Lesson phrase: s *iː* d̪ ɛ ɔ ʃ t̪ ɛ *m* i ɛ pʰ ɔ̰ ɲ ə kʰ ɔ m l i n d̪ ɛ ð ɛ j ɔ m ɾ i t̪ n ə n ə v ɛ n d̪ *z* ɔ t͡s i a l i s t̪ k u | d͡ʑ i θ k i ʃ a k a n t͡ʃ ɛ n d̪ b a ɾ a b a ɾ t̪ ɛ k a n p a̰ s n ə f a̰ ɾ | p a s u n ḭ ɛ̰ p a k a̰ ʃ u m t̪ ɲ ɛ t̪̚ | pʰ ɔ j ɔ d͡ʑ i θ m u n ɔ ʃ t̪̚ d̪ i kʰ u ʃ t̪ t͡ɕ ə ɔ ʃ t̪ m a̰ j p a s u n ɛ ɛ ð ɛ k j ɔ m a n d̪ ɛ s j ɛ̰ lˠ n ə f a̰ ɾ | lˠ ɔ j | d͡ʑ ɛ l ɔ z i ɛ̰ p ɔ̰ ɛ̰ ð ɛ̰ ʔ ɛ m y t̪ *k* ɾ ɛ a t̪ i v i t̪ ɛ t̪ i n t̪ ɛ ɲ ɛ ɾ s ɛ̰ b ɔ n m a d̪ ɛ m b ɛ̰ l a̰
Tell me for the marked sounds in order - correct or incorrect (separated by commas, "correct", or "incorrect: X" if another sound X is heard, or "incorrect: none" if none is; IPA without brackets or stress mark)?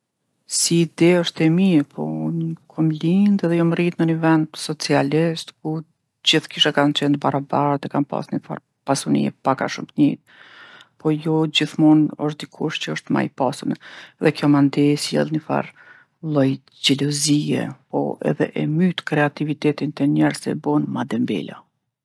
correct, correct, incorrect: s, correct